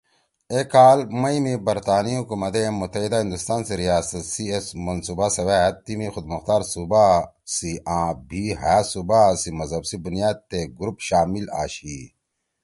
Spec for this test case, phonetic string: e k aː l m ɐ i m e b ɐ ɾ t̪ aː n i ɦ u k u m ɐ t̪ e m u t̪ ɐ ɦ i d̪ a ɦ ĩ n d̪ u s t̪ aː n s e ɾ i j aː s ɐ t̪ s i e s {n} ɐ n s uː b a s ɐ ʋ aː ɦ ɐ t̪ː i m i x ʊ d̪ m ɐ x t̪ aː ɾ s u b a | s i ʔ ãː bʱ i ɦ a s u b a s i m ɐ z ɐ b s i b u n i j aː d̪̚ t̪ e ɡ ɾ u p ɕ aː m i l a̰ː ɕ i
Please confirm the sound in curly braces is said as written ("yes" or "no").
no